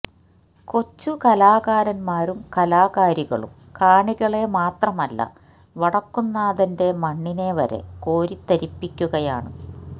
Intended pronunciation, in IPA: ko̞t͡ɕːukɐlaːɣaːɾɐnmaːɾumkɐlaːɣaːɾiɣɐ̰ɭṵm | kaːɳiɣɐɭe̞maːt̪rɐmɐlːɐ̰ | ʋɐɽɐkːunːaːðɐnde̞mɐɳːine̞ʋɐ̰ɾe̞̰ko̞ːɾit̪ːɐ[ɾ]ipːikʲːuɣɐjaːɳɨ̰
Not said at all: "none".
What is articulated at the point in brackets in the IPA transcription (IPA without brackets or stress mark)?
ɾ